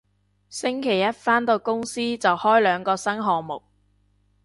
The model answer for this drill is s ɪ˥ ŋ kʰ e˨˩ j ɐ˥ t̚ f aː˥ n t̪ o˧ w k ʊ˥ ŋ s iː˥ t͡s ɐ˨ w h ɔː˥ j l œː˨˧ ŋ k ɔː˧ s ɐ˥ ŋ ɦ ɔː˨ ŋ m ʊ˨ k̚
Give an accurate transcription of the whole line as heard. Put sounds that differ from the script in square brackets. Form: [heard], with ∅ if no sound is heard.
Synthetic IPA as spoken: s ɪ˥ ŋ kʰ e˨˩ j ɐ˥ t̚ f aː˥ n t̪ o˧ w k ʊ˥ ŋ s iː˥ t͡s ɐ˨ w h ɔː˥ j l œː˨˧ ŋ k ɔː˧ s ɐ˥ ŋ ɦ ɔː˨ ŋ m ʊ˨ k̚